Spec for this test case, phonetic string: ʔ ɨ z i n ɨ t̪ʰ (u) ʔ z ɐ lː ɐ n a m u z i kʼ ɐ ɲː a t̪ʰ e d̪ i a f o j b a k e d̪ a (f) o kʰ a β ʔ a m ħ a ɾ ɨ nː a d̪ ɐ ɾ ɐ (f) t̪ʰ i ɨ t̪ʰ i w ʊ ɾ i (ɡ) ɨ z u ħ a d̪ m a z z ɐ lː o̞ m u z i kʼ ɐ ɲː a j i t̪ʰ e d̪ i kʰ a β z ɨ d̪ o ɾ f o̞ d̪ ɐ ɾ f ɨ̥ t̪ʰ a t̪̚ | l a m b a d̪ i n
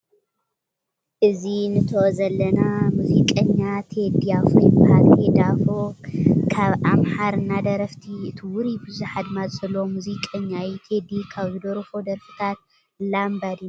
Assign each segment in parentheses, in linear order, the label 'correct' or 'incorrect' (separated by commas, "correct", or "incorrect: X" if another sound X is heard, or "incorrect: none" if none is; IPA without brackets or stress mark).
incorrect: o, correct, correct, incorrect: b